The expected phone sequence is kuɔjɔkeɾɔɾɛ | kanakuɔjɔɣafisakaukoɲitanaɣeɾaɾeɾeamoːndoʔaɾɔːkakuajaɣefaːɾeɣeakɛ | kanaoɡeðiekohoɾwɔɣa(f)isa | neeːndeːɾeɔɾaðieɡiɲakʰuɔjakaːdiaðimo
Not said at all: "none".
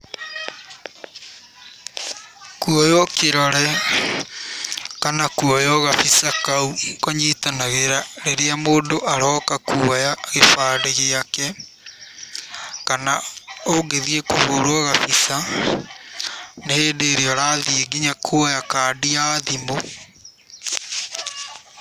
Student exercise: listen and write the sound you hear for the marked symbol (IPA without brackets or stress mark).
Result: f